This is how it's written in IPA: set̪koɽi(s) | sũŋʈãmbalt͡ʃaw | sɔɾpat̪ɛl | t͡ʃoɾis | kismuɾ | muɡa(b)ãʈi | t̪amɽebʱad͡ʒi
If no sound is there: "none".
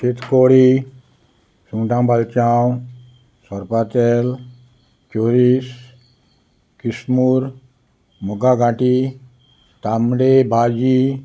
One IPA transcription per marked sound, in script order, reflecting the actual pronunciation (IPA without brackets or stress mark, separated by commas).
none, ɡ